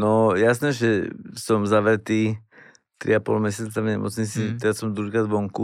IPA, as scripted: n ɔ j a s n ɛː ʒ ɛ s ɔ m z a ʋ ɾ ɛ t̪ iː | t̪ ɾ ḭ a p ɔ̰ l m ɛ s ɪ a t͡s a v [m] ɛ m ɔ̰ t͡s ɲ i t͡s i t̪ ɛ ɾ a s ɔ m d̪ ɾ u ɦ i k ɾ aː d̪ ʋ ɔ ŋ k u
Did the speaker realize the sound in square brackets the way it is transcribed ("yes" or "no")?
no